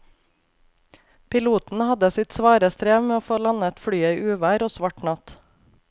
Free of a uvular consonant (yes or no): yes